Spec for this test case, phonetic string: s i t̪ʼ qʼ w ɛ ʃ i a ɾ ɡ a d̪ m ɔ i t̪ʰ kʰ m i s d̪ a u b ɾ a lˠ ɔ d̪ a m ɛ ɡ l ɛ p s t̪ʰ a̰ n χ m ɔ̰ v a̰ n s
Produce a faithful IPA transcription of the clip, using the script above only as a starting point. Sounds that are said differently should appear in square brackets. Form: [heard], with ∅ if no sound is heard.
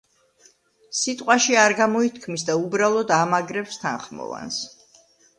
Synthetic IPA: s i t̪ʼ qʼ w [a] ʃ i a ɾ ɡ a [∅] m ɔ i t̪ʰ kʰ m i s d̪ a u b ɾ a lˠ ɔ d̪ a m [a] ɡ [ɾ] ɛ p s t̪ʰ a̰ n χ m ɔ̰ v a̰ n s